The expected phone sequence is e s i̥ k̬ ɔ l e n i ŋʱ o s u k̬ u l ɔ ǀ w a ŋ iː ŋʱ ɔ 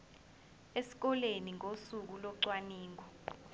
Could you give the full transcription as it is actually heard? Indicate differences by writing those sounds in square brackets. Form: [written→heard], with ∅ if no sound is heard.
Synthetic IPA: e s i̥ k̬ ɔ l e n i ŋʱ o s u k̬ u l ɔ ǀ w a [ŋ→n] iː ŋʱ ɔ